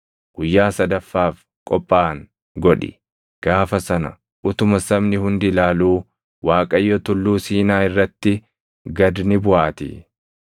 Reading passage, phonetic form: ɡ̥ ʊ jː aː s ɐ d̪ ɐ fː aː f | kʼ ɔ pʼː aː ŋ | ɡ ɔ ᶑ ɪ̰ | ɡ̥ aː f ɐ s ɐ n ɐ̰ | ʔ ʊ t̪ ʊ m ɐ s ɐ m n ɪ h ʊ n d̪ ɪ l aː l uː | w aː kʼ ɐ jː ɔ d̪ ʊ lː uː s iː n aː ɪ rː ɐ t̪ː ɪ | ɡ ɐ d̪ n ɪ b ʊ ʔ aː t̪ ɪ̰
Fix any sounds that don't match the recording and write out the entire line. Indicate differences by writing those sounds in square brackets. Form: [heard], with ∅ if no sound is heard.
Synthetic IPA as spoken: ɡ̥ ʊ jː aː s ɐ d̪ ɐ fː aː f | kʼ ɔ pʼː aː ŋ | ɡ ɔ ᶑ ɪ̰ | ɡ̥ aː f ɐ s ɐ n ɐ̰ | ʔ ʊ t̪ ʊ m ɐ s ɐ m n ɪ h ʊ n d̪ ɪ l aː l uː | w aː kʼ ɐ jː ɔ [t̪] ʊ lː uː s iː n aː ɪ rː ɐ t̪ː ɪ | ɡ ɐ d̪ n ɪ b ʊ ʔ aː t̪ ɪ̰